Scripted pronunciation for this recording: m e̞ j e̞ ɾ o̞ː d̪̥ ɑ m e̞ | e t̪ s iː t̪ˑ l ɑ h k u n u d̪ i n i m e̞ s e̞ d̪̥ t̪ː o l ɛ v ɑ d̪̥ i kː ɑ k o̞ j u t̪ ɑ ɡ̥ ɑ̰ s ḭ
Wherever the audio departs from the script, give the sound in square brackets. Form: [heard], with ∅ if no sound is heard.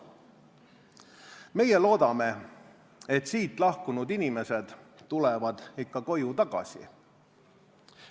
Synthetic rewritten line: m e̞ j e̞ [l] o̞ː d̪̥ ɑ m e̞ | e t̪ s iː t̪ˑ l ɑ h k u n u d̪ i n i m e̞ s e̞ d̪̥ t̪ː [u] l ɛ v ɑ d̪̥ i kː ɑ k o̞ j u t̪ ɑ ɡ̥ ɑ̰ s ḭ